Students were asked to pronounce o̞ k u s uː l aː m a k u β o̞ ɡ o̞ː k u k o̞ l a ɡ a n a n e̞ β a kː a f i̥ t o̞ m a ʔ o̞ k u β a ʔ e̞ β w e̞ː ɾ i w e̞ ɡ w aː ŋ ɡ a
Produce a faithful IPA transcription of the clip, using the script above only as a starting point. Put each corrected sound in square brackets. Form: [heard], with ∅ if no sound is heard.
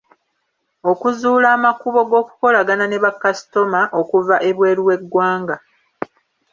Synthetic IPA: o̞ k u [z] uː l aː m a k u β o̞ ɡ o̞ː k u k o̞ l a ɡ a n a n e̞ β a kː a [s] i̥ t o̞ m a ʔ o̞ k u [v] a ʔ e̞ β w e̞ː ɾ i w e̞ ɡ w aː ŋ ɡ a

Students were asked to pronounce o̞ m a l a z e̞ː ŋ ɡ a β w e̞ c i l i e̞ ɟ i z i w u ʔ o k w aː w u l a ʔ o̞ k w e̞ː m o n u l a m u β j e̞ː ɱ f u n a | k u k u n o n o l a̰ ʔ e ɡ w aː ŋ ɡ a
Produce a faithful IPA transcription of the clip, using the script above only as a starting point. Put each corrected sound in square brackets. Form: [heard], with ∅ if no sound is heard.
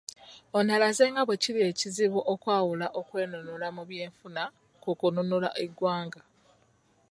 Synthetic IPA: o̞ [n] a l a z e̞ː ŋ ɡ a β w e̞ c i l i e̞ [c] i z i [β] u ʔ o k w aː w u l a ʔ o̞ k w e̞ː [n] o n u l a m u β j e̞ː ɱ f u n a | k u k u n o n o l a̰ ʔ e ɡ w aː ŋ ɡ a

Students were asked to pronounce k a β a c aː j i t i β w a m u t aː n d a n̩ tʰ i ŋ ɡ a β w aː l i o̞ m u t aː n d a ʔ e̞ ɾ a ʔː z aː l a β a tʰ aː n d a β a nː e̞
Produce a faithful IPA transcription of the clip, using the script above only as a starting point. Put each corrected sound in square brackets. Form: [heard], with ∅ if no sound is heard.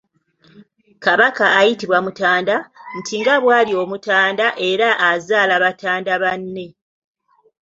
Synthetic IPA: k a β a [k] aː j i t i β w a m u t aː n d a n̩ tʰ i ŋ ɡ a β w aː l i o̞ m u t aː n d a ʔ e̞ ɾ a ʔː z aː l a β a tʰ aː n d a β a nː e̞

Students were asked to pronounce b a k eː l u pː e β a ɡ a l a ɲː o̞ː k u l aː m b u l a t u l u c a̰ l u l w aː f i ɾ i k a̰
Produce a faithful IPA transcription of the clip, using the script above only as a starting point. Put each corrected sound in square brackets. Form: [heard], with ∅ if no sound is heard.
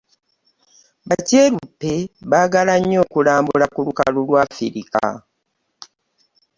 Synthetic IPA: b a [c] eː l u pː e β a ɡ a l a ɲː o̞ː k u l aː m b u l a [k] u l u [k] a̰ l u l w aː f i ɾ i k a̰

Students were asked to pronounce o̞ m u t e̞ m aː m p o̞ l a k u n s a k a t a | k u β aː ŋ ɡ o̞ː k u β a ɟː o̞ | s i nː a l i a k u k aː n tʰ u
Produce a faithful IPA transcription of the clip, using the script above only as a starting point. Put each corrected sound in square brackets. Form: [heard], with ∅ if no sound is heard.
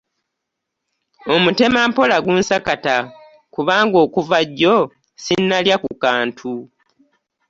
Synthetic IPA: o̞ m u t e̞ m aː m p o̞ l a [ɡ] u n s a k a t a | k u β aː ŋ ɡ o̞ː k u [v] a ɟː o̞ | s i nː a l [j] a k u k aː n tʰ u

